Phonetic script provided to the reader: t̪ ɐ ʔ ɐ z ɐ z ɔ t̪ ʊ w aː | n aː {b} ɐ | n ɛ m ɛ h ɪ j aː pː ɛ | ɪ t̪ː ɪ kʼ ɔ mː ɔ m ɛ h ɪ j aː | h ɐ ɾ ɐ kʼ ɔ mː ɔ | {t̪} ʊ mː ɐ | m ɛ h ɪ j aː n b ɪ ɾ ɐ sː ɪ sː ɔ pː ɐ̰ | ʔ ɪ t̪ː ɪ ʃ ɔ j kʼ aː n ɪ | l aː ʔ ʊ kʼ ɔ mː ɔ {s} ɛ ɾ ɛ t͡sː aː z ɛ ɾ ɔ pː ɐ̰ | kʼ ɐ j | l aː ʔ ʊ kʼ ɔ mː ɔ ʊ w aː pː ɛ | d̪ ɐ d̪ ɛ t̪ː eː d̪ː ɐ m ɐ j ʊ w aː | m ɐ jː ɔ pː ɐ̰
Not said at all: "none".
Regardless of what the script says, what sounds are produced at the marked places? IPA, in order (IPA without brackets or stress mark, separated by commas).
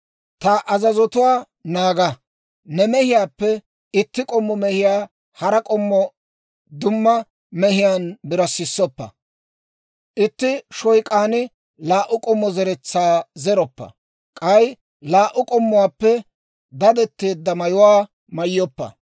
ɡ, d̪, z